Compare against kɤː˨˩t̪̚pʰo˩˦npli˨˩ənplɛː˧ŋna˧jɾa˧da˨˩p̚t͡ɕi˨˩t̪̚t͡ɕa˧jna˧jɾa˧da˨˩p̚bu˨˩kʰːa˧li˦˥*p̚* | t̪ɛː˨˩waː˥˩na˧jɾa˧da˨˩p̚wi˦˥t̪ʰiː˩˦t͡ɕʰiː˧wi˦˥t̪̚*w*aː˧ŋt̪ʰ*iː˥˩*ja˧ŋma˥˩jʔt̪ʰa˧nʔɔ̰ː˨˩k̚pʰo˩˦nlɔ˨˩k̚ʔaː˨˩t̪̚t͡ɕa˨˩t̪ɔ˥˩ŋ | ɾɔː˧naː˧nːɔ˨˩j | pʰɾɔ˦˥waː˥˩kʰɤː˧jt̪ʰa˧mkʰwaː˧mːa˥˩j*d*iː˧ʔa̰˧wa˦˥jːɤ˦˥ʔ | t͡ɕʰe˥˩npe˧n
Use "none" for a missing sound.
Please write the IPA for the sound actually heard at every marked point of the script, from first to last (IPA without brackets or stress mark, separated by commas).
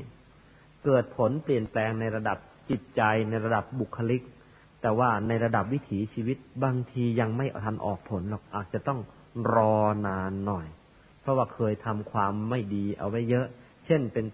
k̚, b, iː˧, d